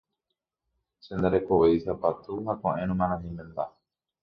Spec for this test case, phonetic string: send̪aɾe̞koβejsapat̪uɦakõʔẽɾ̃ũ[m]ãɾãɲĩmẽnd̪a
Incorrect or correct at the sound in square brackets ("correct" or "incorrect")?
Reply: correct